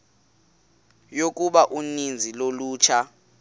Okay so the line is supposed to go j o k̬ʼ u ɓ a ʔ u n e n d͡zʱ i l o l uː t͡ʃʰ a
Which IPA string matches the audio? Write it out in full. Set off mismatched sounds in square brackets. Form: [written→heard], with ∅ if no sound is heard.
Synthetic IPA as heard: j o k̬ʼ u ɓ a ʔ u n [e→i] n d͡zʱ i l o l uː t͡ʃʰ a